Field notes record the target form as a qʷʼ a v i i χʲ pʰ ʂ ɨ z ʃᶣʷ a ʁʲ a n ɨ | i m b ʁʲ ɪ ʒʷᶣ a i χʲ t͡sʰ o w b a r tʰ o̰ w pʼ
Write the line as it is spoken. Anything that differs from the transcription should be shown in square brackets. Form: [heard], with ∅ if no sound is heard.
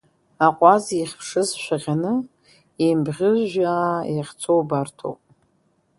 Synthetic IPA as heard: a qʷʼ a [z] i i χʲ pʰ ʂ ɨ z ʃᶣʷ a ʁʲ a n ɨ | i m b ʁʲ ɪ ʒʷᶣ a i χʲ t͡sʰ o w b a r tʰ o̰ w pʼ